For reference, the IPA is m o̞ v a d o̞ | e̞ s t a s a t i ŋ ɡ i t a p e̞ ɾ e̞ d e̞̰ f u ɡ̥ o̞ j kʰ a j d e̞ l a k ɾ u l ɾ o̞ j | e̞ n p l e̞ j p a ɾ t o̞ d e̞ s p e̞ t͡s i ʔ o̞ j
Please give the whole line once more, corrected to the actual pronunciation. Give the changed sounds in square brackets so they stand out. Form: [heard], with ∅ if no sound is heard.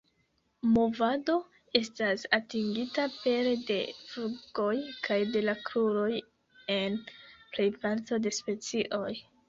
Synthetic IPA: m o̞ v a d o̞ | e̞ s t a s a t i ŋ ɡ i t a p e̞ ɾ e̞ d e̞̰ f u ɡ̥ o̞ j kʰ a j d e̞ l a k ɾ u [∅] ɾ o̞ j | e̞ n p l e̞ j p a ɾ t o̞ d e̞ s p e̞ t͡s i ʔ o̞ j